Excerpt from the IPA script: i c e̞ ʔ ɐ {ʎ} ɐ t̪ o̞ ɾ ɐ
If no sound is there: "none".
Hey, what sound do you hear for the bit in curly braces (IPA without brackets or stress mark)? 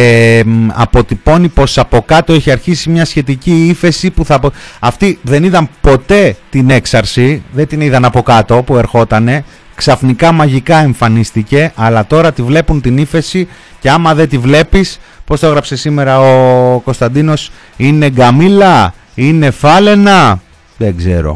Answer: l